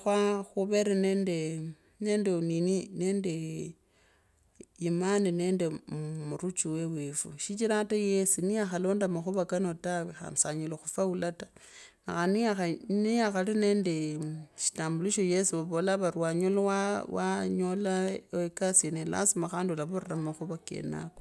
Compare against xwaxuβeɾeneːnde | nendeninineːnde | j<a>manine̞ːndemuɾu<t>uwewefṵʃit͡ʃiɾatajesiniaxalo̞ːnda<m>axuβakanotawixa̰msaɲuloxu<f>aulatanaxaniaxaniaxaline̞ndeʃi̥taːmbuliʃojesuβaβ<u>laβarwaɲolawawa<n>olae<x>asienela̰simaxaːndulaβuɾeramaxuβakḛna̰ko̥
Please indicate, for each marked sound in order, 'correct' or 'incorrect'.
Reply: incorrect, incorrect, correct, correct, incorrect, incorrect, incorrect

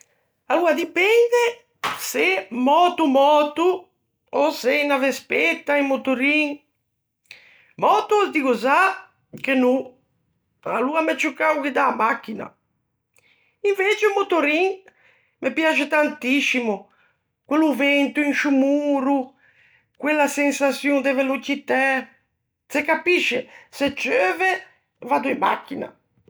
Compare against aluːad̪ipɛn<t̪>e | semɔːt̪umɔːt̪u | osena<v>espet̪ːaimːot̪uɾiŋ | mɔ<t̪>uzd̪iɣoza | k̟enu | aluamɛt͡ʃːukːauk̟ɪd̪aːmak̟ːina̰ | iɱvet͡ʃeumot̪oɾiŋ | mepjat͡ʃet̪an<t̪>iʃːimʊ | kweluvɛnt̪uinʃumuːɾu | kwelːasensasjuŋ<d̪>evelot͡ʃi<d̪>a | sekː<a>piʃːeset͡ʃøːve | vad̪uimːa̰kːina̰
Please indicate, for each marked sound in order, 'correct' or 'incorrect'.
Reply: incorrect, correct, correct, correct, correct, incorrect, correct

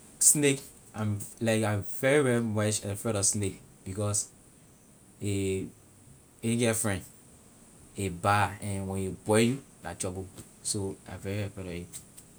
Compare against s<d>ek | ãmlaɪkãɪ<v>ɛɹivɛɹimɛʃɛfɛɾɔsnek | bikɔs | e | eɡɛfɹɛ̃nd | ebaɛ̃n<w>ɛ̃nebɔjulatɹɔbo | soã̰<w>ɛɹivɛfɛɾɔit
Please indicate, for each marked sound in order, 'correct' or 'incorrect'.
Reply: incorrect, correct, correct, incorrect

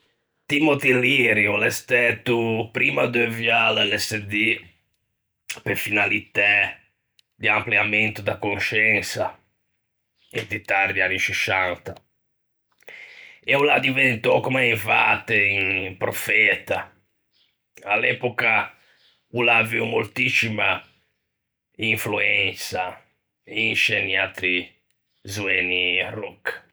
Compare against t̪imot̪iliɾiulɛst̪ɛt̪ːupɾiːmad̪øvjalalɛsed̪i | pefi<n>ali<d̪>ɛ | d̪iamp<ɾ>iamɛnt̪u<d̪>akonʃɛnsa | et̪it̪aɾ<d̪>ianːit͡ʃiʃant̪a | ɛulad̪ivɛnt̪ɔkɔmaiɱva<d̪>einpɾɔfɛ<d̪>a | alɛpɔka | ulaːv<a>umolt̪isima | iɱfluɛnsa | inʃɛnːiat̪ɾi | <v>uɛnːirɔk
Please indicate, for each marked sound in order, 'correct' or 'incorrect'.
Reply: correct, incorrect, incorrect, correct, correct, incorrect, incorrect, incorrect, incorrect

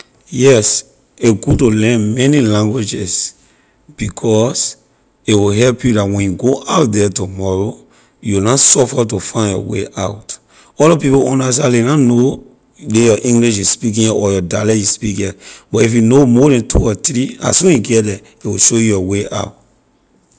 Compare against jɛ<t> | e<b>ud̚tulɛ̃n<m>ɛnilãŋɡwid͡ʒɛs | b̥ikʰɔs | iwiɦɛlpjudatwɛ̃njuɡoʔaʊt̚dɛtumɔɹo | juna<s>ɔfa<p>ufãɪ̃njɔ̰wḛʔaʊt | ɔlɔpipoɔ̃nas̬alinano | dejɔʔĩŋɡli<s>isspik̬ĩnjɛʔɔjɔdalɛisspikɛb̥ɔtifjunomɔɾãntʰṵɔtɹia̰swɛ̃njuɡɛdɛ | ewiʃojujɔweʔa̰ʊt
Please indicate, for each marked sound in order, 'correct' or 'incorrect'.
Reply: incorrect, incorrect, correct, correct, incorrect, incorrect

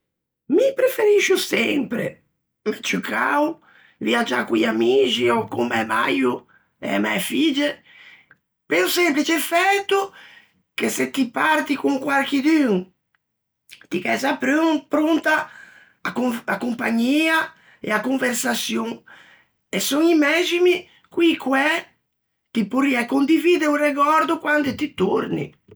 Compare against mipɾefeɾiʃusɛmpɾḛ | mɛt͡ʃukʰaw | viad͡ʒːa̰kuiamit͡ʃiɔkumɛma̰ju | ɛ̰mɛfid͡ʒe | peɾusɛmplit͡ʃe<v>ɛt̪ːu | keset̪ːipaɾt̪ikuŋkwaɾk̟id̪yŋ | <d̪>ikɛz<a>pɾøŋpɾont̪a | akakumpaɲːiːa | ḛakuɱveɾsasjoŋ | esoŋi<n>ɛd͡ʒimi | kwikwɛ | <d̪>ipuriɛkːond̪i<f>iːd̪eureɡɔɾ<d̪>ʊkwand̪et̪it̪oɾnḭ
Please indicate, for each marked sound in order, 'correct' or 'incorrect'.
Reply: incorrect, incorrect, correct, incorrect, incorrect, incorrect, correct

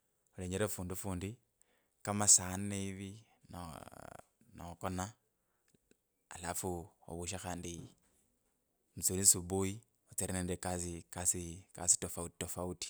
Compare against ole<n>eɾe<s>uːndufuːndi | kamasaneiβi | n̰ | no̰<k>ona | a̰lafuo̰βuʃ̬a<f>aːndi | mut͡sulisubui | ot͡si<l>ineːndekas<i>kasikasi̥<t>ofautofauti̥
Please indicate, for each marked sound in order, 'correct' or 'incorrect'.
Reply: incorrect, incorrect, correct, incorrect, incorrect, correct, correct

